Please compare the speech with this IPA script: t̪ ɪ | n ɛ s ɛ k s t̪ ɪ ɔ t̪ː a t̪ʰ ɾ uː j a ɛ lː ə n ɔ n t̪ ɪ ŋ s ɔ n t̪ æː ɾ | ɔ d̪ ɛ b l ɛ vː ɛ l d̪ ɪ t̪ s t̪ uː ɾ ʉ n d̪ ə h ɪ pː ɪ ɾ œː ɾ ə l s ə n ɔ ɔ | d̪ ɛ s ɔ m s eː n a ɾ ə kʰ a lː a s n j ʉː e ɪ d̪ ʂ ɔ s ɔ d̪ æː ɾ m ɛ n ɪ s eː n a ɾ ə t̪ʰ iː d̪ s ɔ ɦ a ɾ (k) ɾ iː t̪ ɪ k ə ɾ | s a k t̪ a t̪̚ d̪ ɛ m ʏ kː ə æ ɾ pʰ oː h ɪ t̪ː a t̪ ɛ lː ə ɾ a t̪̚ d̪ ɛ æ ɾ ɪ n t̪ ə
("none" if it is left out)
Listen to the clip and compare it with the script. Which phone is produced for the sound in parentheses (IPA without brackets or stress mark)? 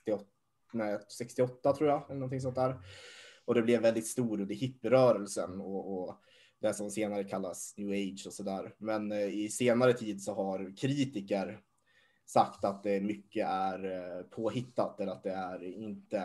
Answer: kʰ